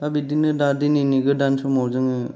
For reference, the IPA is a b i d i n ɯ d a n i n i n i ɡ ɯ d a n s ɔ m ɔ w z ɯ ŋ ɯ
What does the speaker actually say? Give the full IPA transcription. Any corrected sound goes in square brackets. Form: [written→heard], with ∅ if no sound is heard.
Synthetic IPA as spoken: a b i d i n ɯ d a [n→d] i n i n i ɡ ɯ d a n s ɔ m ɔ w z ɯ ŋ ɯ